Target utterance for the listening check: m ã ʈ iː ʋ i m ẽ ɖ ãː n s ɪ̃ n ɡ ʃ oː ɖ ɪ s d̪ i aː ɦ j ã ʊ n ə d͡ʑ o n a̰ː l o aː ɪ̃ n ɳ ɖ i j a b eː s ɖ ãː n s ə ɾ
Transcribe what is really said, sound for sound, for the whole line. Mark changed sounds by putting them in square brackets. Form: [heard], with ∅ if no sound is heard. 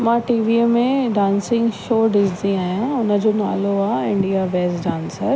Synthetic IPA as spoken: m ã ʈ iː ʋ i m ẽ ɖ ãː n s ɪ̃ [ŋ] ɡ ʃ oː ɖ ɪ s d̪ i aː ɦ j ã ʊ n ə d͡ʑ o n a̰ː l o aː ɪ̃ [∅] ɳ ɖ i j a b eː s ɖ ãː n s ə ɾ